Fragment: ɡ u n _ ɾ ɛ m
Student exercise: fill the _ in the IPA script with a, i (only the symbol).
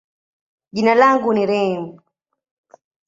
i